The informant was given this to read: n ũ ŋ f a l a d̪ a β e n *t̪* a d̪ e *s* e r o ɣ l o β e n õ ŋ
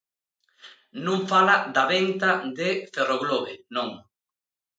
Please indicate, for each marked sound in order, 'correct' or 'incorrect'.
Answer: correct, incorrect: f

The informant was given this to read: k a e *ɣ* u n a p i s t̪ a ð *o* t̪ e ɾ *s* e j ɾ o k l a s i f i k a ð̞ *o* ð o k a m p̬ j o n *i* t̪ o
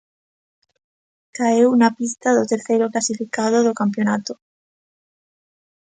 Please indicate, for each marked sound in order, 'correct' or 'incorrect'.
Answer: incorrect: w, correct, incorrect: θ, correct, incorrect: a

